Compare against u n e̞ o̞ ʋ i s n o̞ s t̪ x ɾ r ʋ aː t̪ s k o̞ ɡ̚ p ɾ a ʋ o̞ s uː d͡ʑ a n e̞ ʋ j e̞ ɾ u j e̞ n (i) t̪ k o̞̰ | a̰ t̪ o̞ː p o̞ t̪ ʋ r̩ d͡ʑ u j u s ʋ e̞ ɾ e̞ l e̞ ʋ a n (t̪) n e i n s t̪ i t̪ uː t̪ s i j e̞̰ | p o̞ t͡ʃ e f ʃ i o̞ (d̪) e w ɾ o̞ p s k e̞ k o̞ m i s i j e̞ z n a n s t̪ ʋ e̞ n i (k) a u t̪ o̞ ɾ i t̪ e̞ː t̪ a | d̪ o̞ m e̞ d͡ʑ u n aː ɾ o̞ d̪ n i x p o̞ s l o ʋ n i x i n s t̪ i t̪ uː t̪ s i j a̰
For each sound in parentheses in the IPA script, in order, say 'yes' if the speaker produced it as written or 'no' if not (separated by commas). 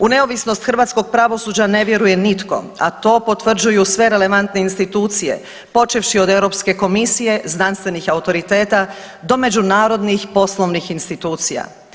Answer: yes, yes, yes, no